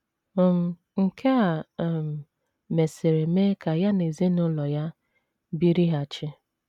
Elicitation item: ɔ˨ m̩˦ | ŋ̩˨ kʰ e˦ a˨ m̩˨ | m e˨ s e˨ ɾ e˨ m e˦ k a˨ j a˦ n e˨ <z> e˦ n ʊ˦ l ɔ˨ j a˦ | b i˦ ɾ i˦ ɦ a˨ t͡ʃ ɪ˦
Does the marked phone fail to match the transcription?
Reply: no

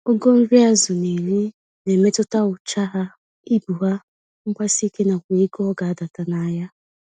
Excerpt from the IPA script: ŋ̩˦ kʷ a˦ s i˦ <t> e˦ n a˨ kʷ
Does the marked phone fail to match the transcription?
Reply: yes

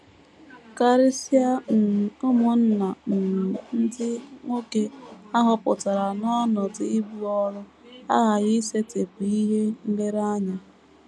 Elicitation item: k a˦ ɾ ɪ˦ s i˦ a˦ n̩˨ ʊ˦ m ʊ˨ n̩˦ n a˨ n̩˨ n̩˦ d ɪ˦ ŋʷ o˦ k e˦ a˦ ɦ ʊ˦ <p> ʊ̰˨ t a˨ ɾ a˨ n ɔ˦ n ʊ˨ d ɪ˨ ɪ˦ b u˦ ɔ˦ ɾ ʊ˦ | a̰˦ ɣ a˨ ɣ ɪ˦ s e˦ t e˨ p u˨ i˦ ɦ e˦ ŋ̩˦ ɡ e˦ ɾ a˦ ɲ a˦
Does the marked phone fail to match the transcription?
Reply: no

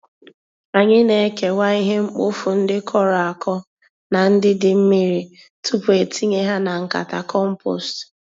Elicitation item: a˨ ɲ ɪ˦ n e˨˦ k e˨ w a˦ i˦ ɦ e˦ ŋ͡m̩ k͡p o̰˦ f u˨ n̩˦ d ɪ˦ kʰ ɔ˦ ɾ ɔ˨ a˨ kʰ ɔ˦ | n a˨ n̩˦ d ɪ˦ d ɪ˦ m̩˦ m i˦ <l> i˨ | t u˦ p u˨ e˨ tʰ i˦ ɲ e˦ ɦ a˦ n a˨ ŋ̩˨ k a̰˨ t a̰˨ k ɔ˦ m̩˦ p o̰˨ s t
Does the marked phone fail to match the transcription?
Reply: yes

